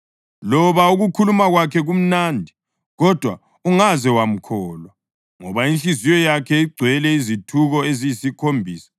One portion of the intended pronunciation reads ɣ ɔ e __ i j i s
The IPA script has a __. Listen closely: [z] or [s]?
z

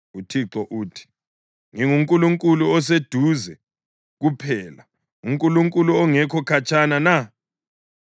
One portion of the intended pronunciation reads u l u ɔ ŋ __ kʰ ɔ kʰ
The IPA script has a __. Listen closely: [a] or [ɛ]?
ɛ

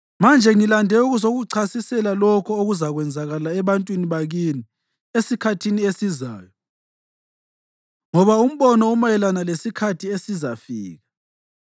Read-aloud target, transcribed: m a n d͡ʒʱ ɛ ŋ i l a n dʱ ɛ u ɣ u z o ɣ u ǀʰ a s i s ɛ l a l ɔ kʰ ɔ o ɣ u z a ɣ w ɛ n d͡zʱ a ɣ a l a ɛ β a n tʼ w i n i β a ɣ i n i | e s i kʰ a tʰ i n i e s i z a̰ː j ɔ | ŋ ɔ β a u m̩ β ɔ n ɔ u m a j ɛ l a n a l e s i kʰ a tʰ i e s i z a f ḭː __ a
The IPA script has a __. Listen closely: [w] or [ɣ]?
ɣ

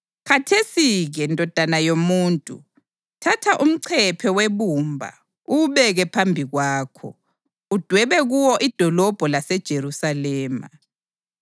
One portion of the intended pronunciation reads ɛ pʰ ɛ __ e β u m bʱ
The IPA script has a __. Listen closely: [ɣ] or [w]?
w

